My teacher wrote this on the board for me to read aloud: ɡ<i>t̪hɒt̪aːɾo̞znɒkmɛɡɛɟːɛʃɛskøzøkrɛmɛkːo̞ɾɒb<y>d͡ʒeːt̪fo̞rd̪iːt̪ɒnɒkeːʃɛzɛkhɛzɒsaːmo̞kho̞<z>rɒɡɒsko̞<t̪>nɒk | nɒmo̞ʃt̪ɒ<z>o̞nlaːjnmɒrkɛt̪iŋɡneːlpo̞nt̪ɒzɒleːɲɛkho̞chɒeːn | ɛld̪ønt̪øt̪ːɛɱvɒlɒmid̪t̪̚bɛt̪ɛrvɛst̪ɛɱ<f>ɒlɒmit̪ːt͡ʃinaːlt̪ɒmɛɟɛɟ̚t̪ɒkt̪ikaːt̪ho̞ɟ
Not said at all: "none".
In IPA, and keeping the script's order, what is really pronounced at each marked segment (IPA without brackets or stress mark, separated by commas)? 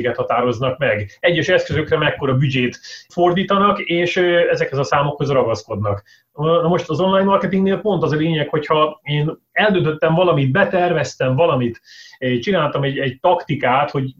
ɛ, y, z, d̪, z, v